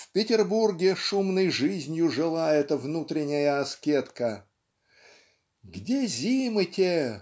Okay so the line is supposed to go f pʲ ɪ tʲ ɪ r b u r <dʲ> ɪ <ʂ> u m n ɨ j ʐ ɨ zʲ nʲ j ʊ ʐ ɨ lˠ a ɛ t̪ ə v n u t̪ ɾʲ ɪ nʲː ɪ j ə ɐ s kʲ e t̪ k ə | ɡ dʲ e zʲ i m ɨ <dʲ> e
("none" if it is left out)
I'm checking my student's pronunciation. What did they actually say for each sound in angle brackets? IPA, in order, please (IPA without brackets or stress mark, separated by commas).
ɡʲ, ʂ, tʲ